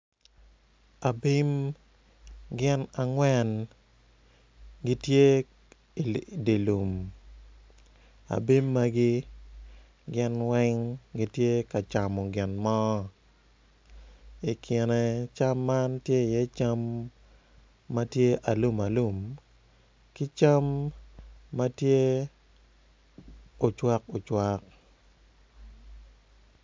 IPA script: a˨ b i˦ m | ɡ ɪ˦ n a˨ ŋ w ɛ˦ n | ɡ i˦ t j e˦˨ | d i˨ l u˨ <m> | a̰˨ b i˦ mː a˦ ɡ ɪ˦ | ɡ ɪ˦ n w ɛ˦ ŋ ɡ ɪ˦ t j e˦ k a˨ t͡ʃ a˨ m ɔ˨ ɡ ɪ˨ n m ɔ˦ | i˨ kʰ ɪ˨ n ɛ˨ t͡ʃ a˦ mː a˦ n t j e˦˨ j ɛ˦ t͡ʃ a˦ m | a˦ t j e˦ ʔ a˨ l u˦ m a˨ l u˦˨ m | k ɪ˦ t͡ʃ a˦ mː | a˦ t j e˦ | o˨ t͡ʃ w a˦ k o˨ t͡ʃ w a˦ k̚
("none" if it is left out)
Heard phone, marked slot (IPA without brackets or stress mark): m